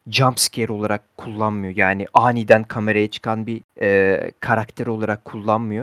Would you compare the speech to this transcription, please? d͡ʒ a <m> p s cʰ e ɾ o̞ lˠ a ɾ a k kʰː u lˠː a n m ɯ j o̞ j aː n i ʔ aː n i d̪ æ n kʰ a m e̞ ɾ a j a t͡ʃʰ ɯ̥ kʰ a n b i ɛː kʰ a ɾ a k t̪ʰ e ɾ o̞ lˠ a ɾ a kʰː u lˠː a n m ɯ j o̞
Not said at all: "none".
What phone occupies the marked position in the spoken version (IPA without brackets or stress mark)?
m